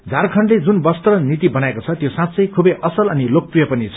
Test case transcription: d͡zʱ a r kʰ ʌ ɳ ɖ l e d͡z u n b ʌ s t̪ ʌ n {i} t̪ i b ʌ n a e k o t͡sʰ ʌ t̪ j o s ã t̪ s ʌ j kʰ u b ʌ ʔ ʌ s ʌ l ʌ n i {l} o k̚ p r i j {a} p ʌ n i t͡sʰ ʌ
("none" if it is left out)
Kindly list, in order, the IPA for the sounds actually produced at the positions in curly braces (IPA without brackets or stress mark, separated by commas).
i, l, ʌ